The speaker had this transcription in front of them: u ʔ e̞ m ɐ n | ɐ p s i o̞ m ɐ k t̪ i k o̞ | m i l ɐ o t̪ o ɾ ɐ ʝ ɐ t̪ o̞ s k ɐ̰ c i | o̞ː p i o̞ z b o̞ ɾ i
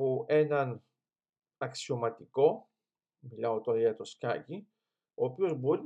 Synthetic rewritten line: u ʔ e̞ n ɐ n | ɐ k s i o̞ m ɐ t̪ i k o̞ | m i l ɐ o t̪ o ɾ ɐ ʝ ɐ t̪ o̞ s k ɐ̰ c i | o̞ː p i o̞ z b o̞ ɾ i